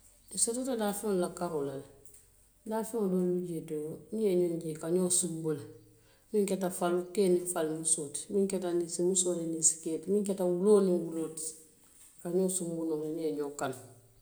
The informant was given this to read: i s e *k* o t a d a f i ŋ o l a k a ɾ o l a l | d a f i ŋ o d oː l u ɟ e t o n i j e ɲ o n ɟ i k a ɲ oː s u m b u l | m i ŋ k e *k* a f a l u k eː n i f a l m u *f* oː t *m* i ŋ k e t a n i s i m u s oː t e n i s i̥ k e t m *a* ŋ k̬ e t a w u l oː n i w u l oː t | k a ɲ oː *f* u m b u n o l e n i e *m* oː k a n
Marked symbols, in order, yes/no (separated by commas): no, no, no, yes, no, no, no